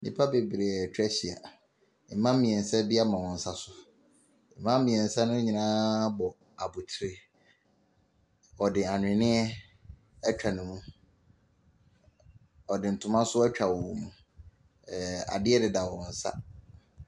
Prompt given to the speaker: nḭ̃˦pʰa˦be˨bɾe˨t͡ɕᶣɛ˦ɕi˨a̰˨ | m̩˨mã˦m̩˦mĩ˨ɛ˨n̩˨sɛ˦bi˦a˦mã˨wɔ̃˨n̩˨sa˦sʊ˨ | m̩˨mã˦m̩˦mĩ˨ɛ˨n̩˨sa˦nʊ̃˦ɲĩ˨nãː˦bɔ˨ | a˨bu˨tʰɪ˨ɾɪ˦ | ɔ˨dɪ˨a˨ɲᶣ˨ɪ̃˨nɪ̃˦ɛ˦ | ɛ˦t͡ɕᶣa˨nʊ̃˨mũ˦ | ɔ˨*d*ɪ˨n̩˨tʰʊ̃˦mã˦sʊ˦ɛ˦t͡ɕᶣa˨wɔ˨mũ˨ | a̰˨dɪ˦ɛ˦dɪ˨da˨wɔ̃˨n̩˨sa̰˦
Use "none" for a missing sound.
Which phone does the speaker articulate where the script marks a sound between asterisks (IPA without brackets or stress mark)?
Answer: d